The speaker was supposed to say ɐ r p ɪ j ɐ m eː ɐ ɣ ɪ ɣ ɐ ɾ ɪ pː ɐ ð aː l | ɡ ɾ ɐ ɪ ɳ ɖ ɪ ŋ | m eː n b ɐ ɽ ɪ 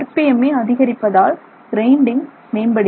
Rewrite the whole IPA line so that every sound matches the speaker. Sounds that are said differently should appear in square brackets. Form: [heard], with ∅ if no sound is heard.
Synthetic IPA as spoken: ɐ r p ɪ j ɐ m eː ɐ [ð] ɪ ɣ ɐ ɾ ɪ pː ɐ ð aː l | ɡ ɾ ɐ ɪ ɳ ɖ ɪ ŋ | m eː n b ɐ ɽ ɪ